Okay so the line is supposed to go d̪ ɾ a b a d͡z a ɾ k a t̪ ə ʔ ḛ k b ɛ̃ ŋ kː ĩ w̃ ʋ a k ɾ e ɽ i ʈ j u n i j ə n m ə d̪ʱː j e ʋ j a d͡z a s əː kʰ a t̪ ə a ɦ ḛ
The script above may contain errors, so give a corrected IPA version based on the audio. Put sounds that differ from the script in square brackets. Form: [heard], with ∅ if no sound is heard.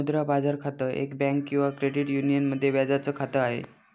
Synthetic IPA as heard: d̪ ɾ a b a d͡z a ɾ [kʰ] a t̪ ə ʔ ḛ k b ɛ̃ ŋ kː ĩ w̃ ʋ a k ɾ e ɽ i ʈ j u n i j ə n m ə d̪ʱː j e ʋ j a d͡z a [t͡s] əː kʰ a t̪ ə a ɦ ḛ